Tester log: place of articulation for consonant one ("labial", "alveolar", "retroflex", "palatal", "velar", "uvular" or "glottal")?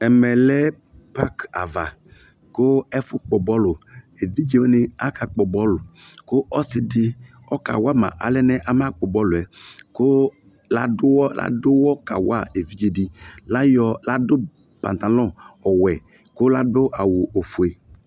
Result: labial